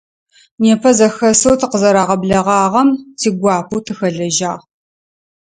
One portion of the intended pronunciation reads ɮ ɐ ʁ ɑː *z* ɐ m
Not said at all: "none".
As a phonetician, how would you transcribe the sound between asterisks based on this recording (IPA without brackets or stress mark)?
ʁ